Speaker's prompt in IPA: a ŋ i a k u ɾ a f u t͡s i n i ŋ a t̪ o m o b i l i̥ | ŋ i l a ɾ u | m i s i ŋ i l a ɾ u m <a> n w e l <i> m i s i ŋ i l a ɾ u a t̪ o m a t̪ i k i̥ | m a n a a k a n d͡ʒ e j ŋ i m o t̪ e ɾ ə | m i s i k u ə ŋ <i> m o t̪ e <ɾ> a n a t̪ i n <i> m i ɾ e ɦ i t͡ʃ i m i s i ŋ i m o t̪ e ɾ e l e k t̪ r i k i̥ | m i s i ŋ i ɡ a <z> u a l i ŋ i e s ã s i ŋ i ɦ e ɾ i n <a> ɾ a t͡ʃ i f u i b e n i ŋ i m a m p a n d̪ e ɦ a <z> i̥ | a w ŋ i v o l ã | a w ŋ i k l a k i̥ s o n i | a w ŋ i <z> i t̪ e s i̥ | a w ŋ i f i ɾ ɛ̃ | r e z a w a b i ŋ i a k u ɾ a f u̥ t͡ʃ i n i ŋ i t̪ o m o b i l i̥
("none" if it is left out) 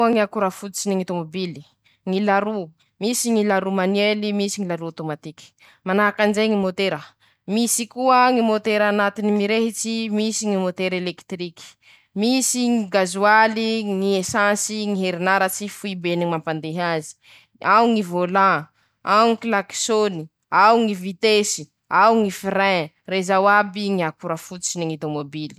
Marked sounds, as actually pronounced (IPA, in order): a, i, i, ɾ, i, z, a, z, v

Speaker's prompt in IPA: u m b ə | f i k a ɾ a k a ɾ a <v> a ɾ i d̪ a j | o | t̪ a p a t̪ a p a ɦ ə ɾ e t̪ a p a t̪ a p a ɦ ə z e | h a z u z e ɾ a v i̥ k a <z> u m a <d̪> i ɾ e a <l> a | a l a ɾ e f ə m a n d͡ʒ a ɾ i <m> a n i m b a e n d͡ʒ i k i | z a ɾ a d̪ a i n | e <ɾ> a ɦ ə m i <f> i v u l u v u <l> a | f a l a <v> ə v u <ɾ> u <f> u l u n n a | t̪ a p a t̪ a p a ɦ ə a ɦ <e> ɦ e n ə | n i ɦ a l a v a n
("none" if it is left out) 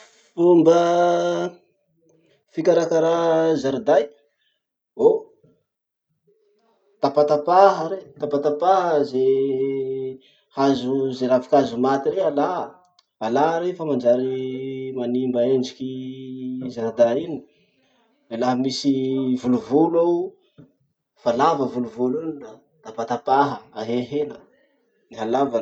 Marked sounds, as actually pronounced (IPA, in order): z, z, t̪, l, m, l, s, l, v, l, v, e

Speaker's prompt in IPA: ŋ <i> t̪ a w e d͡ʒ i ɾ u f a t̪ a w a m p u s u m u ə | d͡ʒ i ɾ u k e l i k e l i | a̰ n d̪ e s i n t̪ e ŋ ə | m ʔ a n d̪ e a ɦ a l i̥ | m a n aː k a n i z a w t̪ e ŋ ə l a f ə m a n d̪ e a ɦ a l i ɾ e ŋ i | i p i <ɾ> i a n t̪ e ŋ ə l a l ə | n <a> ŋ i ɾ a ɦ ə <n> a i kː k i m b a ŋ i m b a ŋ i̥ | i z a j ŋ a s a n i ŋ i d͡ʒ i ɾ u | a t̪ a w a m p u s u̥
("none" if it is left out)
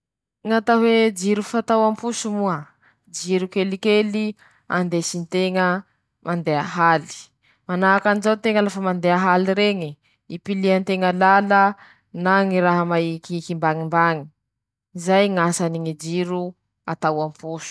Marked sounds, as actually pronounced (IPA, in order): a, l, a, m

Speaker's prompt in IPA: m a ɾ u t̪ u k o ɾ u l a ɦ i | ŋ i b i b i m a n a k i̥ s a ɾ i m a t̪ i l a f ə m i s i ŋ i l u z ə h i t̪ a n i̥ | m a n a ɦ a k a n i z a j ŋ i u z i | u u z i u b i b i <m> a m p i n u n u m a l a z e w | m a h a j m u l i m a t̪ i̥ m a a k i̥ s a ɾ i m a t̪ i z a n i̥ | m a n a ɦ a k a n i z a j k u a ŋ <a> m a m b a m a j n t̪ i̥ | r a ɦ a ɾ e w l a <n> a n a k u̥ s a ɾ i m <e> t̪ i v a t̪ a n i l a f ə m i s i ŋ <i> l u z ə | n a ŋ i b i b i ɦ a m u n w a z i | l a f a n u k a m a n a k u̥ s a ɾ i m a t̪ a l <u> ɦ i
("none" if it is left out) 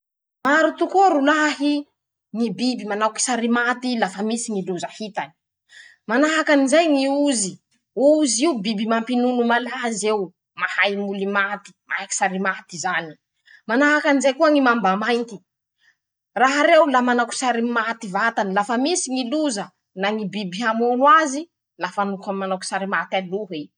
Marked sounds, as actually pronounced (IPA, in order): m, i, m, a, i, u

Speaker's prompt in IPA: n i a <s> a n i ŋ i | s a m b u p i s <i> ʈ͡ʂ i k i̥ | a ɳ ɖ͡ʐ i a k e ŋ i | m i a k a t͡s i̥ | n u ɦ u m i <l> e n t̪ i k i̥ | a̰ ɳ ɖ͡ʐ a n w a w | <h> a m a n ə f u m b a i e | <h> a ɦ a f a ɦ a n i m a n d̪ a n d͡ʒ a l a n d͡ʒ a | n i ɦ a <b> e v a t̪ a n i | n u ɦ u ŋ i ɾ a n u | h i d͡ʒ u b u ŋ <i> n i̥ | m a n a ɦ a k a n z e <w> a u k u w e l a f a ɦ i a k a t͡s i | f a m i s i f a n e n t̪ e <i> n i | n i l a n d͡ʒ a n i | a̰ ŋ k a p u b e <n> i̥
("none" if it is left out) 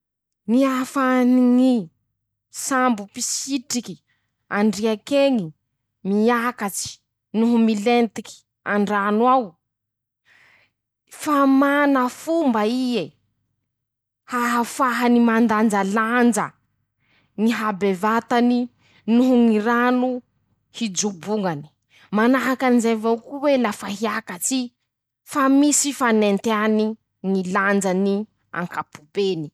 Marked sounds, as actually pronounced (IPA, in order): f, i, l, f, h, b, a, v, a, n

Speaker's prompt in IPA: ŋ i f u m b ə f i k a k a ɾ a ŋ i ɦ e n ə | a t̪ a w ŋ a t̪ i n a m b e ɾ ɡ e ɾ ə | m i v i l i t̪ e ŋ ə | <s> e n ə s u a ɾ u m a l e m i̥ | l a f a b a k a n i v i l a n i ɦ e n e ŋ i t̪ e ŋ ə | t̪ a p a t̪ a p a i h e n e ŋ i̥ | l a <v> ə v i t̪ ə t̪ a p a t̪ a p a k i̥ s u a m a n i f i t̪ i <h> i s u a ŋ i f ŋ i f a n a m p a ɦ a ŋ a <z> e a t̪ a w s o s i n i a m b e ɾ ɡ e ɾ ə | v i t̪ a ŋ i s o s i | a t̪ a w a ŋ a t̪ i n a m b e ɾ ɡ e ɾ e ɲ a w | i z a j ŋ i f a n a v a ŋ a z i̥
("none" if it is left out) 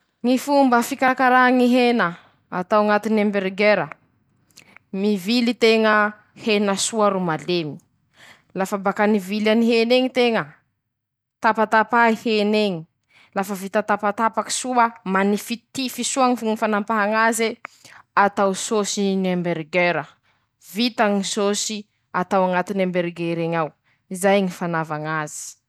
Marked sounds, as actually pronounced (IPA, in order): h, f, f, z

